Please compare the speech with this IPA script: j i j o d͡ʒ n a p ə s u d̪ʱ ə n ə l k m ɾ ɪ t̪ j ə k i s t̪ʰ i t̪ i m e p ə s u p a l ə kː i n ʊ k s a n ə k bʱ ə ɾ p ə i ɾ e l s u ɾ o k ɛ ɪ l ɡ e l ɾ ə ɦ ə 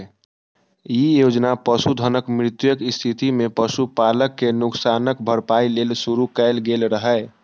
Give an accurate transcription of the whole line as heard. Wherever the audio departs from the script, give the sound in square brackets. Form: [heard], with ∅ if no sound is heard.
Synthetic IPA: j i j o d͡ʒ n a p ə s u d̪ʱ ə n ə [∅] k m ɾ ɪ t̪ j ə k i s t̪ʰ i t̪ i m e p ə s u p a l ə kː [e] n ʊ k s a n ə k bʱ ə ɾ p [a] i [l] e l s u ɾ [u] k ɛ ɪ l ɡ e l ɾ ə ɦ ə